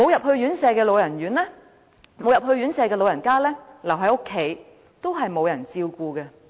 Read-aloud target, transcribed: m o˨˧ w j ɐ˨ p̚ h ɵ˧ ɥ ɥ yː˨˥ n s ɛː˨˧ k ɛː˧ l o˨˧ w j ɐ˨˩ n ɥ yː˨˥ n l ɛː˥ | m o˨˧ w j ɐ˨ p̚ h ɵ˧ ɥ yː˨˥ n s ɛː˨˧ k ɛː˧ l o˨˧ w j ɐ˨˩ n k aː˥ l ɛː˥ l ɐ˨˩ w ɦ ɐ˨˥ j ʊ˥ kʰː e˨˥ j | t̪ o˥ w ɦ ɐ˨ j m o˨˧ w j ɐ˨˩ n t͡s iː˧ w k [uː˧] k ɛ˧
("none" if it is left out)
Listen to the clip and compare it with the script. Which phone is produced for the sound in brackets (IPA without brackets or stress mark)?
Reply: uː˧